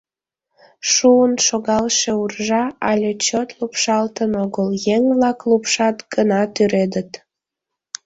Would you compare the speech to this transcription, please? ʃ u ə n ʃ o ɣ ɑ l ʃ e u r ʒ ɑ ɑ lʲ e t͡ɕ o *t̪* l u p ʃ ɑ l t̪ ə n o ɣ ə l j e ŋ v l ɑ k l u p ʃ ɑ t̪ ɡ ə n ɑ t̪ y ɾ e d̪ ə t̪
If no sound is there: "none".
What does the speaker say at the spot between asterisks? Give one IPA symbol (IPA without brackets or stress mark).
t̪